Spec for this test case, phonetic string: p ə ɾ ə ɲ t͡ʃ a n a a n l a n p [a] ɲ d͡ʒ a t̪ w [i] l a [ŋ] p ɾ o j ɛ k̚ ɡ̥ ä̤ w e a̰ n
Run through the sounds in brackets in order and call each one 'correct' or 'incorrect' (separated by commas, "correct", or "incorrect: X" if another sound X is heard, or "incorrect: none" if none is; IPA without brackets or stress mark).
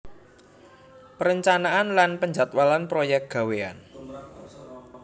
incorrect: ə, incorrect: a, incorrect: n